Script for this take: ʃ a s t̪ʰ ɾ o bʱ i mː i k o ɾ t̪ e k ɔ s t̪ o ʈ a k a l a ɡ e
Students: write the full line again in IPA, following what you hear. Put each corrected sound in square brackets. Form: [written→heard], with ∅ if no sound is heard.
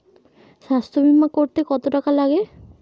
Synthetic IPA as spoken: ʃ a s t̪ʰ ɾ o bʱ i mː [i→a] k o ɾ t̪ e k ɔ [s→∅] t̪ o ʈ a k a l a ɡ e